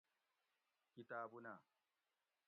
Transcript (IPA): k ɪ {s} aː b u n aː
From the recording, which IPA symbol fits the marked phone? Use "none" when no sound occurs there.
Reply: t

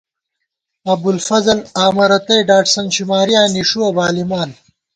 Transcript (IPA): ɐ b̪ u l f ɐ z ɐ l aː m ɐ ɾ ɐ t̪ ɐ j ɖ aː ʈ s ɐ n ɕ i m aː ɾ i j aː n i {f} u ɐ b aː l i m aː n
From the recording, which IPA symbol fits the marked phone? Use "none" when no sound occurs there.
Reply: ʂ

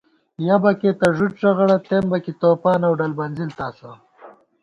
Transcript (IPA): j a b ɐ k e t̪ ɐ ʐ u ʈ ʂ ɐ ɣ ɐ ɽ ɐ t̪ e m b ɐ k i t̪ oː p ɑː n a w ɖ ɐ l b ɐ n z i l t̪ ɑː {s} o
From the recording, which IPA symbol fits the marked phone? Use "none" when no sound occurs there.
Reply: s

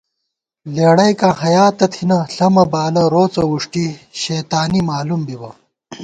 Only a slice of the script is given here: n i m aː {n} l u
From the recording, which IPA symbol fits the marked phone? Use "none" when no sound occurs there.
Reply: none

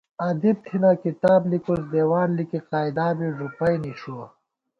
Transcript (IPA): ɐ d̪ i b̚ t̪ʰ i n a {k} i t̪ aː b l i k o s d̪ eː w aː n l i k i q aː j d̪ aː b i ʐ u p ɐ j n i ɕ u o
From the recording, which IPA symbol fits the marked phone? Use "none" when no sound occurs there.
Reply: k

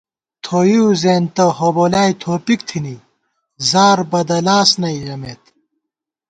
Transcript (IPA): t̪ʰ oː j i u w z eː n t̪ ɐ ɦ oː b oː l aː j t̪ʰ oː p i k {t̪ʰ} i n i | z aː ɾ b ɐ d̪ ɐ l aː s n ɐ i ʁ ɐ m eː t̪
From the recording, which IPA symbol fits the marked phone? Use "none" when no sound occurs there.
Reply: t̪ʰ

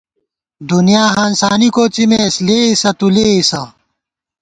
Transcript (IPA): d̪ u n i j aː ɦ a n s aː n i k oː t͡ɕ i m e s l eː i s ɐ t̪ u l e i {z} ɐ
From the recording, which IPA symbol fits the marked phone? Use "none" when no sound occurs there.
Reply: s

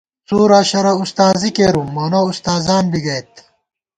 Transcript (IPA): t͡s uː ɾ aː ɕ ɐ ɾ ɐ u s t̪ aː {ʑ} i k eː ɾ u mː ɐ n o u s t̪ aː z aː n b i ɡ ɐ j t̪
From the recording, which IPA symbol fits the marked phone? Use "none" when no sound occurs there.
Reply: z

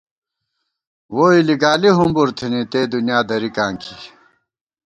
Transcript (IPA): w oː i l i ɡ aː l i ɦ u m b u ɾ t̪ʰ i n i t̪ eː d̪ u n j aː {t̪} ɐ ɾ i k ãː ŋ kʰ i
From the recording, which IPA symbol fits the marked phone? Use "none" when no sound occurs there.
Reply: d̪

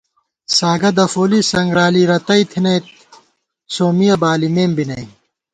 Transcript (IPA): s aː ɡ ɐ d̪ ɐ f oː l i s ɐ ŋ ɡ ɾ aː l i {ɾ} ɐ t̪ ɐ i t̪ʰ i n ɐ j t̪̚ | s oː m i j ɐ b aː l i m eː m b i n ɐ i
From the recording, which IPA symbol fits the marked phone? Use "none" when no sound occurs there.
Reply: ɾ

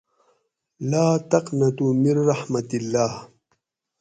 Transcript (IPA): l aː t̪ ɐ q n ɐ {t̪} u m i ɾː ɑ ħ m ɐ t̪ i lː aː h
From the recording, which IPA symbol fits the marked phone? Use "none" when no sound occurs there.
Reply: t̪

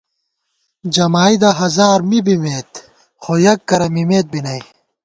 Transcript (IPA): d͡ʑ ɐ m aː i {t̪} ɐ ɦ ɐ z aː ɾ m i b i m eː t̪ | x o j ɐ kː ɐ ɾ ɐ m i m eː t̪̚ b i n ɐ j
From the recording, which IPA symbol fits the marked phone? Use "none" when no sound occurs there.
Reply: d̪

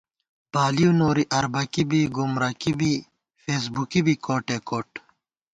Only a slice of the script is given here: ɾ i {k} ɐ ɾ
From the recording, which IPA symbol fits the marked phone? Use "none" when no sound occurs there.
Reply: ʔ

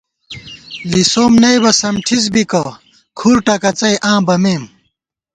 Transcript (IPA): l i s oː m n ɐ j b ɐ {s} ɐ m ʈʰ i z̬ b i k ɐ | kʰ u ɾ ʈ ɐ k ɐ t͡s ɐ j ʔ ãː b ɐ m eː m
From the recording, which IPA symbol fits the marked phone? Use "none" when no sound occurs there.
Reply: s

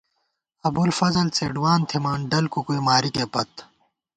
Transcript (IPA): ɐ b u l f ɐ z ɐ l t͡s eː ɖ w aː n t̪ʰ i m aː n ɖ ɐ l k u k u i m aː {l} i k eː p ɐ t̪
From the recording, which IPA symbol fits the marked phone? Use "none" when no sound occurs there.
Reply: ɾ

